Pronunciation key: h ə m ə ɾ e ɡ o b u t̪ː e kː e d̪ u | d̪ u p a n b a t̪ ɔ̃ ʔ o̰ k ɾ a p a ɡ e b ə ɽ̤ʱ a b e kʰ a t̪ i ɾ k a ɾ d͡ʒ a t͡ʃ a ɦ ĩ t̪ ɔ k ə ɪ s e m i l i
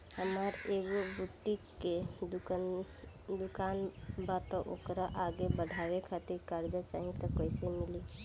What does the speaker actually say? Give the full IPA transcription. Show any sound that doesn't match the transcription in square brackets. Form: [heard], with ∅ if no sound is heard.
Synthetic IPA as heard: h ə m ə ɾ e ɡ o b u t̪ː [i] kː e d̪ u | d̪ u [k] a n b a t̪ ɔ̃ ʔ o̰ k ɾ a [ʔ] a ɡ e b ə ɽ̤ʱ a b e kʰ a t̪ i ɾ k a ɾ d͡ʒ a t͡ʃ a ɦ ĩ t̪ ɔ k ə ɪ s e m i l i